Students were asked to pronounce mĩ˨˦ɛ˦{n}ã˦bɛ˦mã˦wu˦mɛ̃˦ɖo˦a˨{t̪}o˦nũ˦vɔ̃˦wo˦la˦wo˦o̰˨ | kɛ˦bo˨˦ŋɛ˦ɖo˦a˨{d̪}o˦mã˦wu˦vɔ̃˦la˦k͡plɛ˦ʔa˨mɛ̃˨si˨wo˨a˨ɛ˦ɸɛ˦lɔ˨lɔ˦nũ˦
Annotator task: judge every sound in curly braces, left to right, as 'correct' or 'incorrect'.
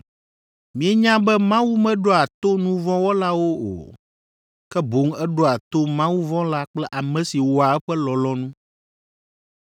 incorrect: ɲ, correct, incorrect: t̪

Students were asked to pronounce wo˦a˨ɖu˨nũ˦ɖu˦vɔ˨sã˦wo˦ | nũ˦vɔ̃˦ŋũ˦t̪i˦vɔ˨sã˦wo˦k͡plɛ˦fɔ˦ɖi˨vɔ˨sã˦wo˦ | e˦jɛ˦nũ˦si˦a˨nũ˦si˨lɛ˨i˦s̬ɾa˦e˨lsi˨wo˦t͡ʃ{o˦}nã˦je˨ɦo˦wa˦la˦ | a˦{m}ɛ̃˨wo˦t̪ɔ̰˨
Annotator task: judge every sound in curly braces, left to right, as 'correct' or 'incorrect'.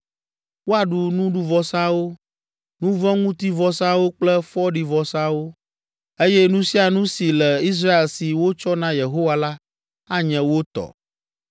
incorrect: ɔ˦, incorrect: ɲ

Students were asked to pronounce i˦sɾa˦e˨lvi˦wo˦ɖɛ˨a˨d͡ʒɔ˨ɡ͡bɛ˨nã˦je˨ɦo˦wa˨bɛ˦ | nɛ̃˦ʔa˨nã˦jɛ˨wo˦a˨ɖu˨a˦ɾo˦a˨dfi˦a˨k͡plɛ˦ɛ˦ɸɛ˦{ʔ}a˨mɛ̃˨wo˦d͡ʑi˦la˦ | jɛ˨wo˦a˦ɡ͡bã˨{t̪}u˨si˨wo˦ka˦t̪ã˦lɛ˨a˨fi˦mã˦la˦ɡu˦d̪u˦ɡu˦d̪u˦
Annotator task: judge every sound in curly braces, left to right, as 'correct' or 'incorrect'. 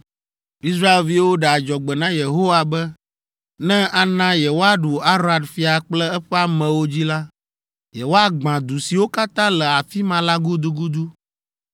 incorrect: none, incorrect: d̪

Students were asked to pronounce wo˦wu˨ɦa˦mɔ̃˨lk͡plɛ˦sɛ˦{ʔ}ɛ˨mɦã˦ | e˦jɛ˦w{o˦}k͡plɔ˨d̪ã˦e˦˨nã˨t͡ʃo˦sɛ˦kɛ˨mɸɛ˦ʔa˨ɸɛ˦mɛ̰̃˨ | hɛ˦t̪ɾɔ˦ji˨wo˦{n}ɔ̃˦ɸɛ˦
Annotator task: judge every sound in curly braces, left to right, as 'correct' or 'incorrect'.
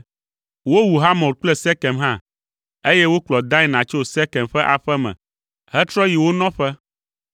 incorrect: k, correct, correct

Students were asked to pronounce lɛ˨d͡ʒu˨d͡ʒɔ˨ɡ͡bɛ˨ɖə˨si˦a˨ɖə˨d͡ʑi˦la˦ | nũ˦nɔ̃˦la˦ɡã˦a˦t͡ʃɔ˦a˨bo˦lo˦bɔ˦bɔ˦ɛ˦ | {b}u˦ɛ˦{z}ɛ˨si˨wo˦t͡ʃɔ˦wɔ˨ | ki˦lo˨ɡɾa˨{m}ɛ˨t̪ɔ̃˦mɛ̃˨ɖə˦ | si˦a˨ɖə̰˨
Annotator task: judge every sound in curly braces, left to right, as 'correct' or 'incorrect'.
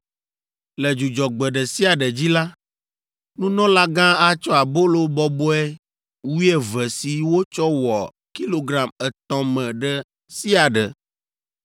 incorrect: w, incorrect: v, correct

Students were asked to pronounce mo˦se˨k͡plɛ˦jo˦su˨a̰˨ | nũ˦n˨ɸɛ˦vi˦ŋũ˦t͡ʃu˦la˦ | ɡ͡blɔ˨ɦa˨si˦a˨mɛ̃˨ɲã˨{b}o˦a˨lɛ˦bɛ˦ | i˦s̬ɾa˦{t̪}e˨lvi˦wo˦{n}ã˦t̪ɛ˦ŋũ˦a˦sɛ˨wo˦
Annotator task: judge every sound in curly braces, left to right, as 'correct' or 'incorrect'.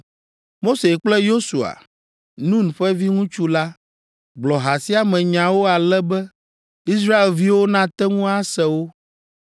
incorrect: w, incorrect: none, correct

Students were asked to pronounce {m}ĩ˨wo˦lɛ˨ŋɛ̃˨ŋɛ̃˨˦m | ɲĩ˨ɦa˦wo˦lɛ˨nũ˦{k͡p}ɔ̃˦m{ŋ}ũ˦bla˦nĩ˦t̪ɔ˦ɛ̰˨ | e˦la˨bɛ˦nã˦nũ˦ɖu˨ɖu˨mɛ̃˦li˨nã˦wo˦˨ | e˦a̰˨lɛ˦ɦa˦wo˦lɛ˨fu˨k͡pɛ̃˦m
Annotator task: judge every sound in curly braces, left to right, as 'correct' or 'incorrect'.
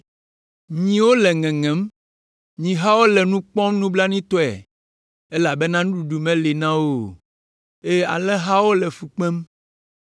incorrect: ɲ, correct, incorrect: n

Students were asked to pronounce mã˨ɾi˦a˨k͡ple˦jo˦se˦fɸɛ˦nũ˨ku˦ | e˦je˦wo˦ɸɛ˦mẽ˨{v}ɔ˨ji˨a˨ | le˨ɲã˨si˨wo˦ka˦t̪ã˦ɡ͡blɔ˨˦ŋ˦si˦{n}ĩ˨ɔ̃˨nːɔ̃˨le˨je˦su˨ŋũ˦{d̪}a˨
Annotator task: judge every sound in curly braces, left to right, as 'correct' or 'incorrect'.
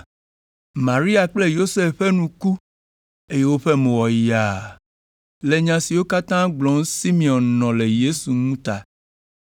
incorrect: w, incorrect: m, incorrect: t̪

